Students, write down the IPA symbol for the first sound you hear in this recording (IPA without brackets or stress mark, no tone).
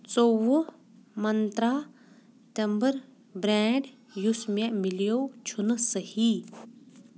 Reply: t͡s